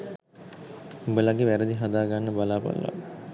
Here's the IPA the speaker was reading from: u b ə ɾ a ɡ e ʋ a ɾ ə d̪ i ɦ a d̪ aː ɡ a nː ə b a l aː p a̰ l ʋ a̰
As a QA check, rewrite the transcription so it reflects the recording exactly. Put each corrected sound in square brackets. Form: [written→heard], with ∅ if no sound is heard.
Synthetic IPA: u b ə [ɾ→l] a ɡ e ʋ [a→æ] ɾ ə d̪ i ɦ a d̪ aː ɡ a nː ə b a l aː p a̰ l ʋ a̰